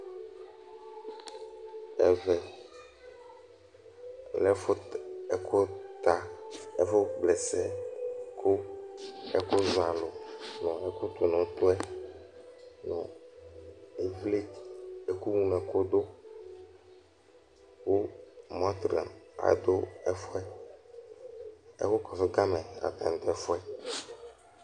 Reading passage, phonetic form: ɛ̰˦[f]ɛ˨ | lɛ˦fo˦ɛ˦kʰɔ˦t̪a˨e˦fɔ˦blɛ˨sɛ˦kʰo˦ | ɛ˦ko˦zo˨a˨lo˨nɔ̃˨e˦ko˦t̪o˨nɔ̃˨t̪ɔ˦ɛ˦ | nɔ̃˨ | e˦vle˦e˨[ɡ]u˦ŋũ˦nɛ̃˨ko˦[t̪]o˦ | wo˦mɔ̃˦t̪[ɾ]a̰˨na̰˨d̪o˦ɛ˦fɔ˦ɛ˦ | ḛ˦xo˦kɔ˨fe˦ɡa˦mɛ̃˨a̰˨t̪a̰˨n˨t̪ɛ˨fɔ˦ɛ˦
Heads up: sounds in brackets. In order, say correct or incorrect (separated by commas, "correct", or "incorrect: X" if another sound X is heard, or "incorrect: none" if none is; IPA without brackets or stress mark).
incorrect: v, incorrect: k, incorrect: d̪, correct